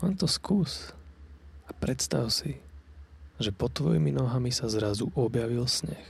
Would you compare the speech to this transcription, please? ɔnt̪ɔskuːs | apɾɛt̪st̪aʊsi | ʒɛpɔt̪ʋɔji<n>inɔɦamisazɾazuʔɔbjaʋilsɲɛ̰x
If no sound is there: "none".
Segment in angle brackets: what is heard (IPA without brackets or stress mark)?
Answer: m